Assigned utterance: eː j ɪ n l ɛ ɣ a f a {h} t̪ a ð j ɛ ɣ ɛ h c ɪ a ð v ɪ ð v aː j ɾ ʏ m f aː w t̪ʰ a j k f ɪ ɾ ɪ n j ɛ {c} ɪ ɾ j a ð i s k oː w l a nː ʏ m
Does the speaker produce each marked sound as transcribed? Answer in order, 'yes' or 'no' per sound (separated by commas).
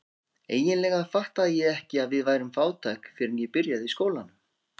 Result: yes, no